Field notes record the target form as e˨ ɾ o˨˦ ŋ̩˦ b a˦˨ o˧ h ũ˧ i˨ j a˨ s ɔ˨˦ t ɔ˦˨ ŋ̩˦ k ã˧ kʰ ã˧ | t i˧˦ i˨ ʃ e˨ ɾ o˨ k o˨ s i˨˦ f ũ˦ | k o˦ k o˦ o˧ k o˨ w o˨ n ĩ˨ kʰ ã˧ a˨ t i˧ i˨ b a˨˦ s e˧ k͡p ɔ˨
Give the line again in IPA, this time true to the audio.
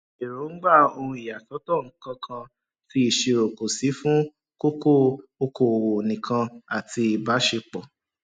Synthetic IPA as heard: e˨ ɾ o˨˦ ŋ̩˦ ɡ͡b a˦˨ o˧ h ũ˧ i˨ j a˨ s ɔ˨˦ t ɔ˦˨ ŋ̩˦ k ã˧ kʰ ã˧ | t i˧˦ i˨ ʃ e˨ ɾ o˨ k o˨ s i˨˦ f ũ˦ | k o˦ k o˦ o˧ k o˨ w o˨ n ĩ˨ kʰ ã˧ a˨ t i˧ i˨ b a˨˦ ʃ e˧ k͡p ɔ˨

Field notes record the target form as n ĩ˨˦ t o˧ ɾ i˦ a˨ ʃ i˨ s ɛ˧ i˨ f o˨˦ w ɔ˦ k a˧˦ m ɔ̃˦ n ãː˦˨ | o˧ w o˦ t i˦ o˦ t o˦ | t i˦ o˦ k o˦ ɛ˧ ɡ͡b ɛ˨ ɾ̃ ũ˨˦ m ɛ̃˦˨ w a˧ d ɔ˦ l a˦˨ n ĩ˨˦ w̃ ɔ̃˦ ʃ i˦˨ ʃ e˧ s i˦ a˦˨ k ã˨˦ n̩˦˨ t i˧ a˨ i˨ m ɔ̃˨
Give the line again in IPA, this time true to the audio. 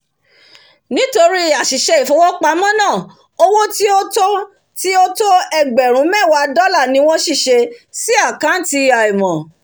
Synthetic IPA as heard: n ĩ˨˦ t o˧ ɾ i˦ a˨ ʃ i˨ ʃ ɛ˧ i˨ f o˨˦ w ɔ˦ k͡p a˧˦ m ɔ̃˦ n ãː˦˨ | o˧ w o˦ t i˦ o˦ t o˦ | t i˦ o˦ t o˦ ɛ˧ ɡ͡b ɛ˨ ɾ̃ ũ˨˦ m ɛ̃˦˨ w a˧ d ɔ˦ l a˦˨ n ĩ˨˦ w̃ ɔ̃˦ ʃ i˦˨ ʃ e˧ s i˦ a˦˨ k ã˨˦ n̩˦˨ t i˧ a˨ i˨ m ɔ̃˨

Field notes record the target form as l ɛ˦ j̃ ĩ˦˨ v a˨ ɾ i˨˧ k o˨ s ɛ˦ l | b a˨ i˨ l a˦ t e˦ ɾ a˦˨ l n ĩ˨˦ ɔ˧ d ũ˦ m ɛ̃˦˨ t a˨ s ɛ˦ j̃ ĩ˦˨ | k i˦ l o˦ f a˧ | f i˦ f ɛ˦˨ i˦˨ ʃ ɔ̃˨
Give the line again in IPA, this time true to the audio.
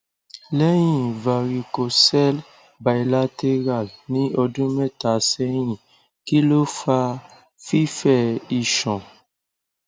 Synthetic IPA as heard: l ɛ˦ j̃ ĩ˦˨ v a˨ ɾ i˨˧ k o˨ s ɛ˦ l | b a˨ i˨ l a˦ t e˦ ɾ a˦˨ l n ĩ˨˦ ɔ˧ d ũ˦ m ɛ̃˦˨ t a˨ s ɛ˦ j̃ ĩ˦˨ | k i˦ l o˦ f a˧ | f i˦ f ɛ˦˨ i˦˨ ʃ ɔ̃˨

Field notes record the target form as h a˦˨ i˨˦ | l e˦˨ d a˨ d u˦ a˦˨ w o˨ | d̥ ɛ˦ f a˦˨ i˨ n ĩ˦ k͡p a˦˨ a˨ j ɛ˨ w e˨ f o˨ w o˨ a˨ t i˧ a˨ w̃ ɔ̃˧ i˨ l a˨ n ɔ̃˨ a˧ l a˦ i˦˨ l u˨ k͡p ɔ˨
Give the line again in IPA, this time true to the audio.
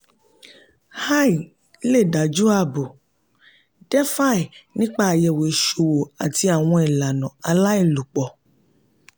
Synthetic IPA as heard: h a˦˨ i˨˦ | l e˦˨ d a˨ d͡ʒ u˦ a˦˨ b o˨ | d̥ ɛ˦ f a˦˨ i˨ n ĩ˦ k͡p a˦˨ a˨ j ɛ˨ w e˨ ʃ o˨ w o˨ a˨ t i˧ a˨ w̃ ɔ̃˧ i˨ l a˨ n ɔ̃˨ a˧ l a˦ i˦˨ l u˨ k͡p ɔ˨

